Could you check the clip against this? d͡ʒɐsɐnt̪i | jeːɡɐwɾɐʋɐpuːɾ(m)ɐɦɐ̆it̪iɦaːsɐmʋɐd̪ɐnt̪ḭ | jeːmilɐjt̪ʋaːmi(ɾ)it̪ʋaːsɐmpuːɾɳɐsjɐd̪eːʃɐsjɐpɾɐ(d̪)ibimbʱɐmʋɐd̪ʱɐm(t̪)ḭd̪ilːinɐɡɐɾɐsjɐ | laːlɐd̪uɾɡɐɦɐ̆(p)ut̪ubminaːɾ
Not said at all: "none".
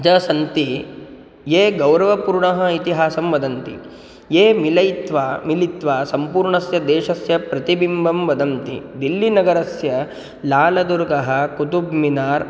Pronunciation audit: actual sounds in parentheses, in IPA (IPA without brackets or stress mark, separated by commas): ɳ, l, t̪, t̪, k